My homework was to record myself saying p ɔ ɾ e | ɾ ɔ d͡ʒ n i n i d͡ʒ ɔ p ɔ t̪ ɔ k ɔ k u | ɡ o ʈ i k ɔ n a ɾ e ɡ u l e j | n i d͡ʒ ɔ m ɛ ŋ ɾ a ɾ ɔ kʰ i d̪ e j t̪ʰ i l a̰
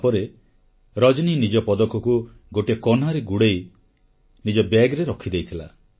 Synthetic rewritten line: p ɔ ɾ e | ɾ ɔ d͡ʒ n i n i d͡ʒ ɔ p ɔ d̪ ɔ k ɔ k u | ɡ o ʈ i k ɔ n a ɾ e ɡ u ɽ e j | n i d͡ʒ ɔ b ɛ ɡ ɾ e ɾ ɔ kʰ i d̪ e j t̪ʰ i l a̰